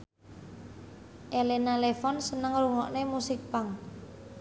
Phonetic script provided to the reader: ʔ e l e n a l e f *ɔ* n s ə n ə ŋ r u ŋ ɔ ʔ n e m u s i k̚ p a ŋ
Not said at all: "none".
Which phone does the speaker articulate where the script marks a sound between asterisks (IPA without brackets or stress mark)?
ɔ